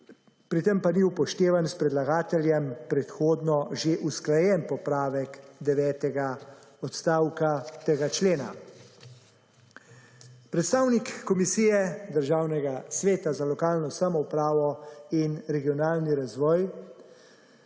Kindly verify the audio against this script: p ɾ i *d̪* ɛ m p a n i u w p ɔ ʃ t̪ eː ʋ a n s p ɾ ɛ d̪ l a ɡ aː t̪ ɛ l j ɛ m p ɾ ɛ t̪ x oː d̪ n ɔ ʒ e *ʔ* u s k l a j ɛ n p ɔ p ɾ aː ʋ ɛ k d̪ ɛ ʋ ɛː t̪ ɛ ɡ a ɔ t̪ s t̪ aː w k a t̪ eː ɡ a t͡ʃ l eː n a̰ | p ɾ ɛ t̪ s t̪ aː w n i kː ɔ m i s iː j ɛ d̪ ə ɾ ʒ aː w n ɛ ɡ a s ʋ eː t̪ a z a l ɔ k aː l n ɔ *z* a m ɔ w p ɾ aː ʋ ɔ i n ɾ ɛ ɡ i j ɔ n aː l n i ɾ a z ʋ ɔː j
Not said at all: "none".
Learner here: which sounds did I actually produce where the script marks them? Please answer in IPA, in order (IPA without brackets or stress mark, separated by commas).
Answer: t̪, ʔ, s